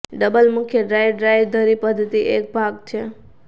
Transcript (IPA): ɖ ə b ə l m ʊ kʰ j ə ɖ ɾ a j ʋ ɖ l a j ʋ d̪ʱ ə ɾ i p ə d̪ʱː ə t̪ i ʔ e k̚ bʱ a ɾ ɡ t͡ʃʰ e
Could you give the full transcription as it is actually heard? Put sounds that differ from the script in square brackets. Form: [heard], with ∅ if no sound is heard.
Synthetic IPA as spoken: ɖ ə b ə l m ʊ kʰ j ə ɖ ɾ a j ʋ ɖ [ɾ] a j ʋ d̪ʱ ə ɾ i p ə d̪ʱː ə t̪ i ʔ e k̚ bʱ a [∅] ɡ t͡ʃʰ e